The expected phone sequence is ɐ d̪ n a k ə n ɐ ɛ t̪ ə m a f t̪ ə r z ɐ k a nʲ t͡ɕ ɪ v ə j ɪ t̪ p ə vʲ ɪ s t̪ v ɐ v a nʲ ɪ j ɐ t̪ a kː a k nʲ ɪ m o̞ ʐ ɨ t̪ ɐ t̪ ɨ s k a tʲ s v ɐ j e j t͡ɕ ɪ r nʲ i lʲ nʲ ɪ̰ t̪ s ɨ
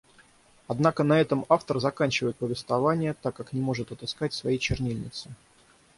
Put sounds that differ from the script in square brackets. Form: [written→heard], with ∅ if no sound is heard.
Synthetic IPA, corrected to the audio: ɐ d̪ n a k ə n ɐ ɛ t̪ ə m a f t̪ ə r z ɐ k a nʲ t͡ɕ ɪ v ə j ɪ t̪ p ə vʲ ɪ s t̪ v ɐ v a nʲ ɪ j [ɐ→ə] t̪ a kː a k nʲ ɪ m o̞ ʐ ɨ t̪ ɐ t̪ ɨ s k a tʲ s v ɐ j e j t͡ɕ ɪ r nʲ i lʲ nʲ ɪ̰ t̪ s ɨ

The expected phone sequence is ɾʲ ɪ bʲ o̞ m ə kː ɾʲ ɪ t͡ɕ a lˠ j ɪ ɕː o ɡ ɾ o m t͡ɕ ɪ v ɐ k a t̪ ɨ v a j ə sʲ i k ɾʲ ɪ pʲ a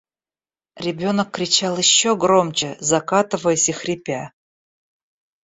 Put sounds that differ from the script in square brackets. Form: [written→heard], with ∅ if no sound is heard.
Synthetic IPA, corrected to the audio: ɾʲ ɪ bʲ o̞ [m→n] ə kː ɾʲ ɪ t͡ɕ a lˠ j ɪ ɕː o ɡ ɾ o m t͡ɕ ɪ [v→z] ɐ k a t̪ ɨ v [a→ə] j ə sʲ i [k→x] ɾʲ ɪ pʲ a

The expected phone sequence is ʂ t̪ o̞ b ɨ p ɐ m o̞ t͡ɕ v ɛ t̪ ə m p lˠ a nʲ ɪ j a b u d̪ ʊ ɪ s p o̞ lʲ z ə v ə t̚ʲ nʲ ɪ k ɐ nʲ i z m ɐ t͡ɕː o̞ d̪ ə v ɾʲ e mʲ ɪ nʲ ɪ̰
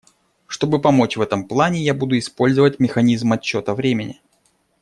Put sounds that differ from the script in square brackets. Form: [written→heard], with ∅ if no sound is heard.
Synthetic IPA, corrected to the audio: ʂ t̪ o̞ b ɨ p ɐ m o̞ t͡ɕ v ɛ t̪ ə m p lˠ a nʲ ɪ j a b u d̪ ʊ ɪ s p o̞ lʲ z ə v ə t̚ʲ [nʲ→mʲ] ɪ [k→x] ɐ nʲ i z m ɐ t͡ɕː o̞ [d̪→t̪] ə v ɾʲ e mʲ ɪ nʲ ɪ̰

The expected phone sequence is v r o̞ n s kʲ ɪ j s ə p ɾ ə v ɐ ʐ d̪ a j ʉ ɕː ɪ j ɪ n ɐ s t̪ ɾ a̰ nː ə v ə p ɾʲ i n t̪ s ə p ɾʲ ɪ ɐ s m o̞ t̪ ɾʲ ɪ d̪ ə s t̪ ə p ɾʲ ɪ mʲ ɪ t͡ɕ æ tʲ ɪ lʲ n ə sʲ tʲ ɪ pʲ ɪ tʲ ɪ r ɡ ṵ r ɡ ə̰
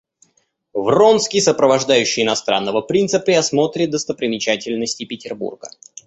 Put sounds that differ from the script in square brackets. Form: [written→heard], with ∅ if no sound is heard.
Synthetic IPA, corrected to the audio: v r o̞ n s kʲ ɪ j s ə p ɾ ə v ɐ ʐ d̪ a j ʉ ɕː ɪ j ɪ n ɐ s t̪ ɾ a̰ nː ə v ə p ɾʲ i n t̪ s ə p ɾʲ ɪ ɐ s m o̞ t̪ ɾʲ ɪ d̪ ə s t̪ ə p ɾʲ ɪ mʲ ɪ t͡ɕ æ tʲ ɪ lʲ n ə sʲ tʲ ɪ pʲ ɪ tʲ ɪ r [ɡ→b] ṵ r ɡ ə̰

